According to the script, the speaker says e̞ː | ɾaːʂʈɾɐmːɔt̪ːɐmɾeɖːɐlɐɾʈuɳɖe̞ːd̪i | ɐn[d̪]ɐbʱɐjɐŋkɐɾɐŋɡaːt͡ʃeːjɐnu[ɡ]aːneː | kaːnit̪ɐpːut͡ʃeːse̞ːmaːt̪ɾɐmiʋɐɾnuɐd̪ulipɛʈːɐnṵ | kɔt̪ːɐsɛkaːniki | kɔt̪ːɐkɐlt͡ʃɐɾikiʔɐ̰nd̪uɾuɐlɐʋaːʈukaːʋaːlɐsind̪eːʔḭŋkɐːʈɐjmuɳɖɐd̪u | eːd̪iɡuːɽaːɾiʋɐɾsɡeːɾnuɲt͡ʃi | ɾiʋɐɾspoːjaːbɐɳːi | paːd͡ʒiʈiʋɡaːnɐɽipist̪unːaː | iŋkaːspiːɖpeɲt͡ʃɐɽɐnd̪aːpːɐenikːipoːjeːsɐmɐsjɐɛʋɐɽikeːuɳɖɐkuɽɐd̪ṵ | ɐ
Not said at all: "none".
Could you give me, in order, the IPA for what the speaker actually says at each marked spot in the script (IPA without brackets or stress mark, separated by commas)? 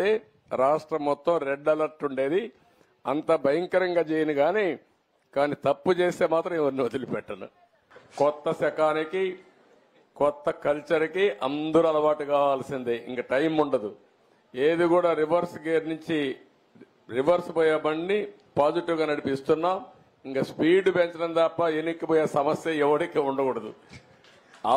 t̪, ɡ